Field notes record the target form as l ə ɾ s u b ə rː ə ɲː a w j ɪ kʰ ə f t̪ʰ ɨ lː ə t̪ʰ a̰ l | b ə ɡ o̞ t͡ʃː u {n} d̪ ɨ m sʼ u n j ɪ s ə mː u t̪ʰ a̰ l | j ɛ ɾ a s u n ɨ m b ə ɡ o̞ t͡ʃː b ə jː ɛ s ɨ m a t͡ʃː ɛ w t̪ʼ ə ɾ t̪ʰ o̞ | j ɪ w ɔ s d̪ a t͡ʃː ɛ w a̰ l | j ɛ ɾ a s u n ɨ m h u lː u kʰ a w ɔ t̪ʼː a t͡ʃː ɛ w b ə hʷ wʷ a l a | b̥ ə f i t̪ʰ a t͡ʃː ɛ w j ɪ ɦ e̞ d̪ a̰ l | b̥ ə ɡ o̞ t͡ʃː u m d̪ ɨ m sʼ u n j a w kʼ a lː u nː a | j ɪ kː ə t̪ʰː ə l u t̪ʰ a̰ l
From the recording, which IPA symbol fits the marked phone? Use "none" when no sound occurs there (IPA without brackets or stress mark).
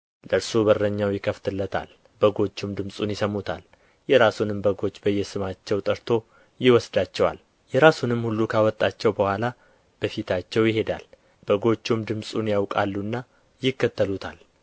m